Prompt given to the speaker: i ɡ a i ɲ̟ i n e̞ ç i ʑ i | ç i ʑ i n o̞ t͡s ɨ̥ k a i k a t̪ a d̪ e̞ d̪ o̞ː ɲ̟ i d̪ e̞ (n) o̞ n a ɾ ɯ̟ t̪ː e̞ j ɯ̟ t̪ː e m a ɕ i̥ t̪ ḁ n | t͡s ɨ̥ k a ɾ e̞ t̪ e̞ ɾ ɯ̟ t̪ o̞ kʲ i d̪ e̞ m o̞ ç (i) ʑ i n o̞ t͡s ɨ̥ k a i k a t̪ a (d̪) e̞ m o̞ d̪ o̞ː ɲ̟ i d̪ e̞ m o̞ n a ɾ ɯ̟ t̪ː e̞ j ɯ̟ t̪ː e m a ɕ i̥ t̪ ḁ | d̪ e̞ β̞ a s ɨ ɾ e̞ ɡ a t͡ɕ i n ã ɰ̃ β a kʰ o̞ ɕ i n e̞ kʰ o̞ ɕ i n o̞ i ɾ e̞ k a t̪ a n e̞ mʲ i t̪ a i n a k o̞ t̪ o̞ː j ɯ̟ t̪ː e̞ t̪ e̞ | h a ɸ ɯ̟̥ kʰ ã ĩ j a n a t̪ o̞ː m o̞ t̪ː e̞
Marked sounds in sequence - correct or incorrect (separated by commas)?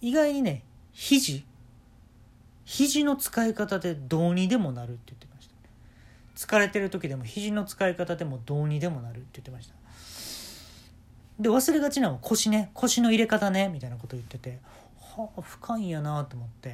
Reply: incorrect, correct, correct